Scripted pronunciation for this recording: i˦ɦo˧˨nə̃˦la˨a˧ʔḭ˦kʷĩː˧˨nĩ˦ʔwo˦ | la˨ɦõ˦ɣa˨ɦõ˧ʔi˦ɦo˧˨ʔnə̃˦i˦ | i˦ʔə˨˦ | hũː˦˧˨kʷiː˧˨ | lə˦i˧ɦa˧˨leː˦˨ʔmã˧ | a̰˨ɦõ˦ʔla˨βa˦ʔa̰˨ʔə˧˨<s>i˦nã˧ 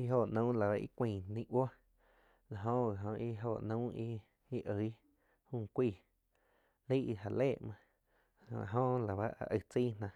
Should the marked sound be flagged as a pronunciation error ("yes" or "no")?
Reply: yes